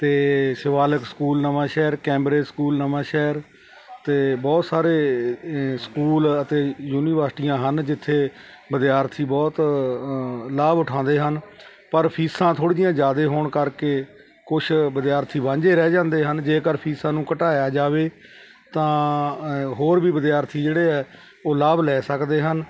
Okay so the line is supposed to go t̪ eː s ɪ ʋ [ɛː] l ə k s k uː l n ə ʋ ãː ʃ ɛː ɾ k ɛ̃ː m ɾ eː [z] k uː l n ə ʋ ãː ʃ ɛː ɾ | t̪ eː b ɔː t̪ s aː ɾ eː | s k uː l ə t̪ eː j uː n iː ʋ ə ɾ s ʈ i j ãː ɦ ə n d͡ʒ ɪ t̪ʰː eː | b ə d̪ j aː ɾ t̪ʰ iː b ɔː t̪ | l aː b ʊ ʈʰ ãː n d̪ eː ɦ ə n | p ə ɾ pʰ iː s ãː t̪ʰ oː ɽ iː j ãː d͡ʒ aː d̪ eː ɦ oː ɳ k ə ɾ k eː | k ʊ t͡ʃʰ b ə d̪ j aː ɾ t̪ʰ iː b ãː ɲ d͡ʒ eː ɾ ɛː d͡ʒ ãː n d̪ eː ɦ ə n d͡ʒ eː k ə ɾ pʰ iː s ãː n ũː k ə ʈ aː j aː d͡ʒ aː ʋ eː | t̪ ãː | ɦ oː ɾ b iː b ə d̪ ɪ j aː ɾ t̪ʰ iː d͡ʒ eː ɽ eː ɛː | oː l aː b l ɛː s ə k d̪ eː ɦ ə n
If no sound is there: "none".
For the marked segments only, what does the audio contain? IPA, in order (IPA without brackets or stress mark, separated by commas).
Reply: aː, s